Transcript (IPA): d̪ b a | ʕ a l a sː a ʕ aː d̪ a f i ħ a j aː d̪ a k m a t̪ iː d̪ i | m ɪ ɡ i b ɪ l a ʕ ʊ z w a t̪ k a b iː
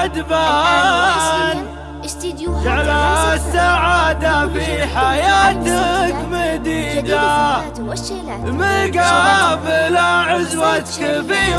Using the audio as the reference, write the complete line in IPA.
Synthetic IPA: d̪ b a | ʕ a l a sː a ʕ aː d̪ a f i ħ a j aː t̪ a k m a d̪ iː d̪ a | m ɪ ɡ a b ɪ l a ʕ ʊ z w a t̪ k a b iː